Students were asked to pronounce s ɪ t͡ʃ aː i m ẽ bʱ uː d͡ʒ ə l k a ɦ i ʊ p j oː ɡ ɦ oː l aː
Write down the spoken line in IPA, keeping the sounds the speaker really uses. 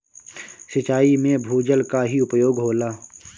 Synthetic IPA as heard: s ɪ t͡ʃ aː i m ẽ bʱ uː d͡ʒ ə l k a ɦ i ʊ p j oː ɡ ɦ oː l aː